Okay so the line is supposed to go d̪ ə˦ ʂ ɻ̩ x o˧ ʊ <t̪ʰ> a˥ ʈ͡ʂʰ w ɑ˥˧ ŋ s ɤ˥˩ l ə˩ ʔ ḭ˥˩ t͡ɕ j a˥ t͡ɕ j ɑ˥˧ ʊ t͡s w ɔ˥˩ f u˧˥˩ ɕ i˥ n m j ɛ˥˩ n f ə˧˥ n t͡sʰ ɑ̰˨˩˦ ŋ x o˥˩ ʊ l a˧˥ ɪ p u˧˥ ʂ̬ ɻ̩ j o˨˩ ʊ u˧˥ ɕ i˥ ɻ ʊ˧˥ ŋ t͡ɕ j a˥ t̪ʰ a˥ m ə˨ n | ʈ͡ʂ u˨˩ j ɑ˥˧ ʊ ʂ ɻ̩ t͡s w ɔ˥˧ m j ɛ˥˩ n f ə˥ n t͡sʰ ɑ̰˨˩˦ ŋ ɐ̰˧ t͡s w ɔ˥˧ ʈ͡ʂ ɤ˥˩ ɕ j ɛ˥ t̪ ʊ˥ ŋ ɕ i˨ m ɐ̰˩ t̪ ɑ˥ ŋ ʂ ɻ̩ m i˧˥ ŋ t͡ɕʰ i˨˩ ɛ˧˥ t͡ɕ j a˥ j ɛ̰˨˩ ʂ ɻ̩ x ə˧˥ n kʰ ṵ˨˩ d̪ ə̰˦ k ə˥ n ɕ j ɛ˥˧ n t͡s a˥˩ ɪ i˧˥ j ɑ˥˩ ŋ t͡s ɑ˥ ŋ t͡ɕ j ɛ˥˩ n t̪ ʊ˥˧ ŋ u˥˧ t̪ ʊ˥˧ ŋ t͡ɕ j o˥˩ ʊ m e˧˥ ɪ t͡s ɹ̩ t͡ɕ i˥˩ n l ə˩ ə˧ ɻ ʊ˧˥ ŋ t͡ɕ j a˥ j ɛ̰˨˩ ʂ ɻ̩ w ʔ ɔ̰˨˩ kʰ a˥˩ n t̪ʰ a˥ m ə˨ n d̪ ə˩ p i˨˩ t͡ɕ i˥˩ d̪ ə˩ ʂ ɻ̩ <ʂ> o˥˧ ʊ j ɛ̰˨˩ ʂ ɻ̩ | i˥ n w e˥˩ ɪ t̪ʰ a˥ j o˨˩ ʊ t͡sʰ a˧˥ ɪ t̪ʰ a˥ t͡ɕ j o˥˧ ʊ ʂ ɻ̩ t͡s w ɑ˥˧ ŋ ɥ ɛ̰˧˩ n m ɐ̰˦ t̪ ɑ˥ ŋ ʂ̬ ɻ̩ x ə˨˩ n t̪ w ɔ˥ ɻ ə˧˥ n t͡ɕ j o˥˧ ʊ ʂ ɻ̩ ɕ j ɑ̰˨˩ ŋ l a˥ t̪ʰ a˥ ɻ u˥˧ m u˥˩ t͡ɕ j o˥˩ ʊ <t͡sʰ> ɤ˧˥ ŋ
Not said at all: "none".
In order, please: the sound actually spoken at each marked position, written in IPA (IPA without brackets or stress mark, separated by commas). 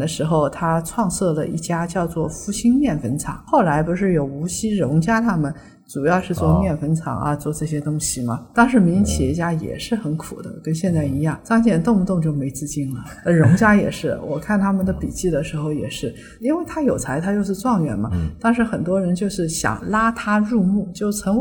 t̪ʰ, x, t͡sʰ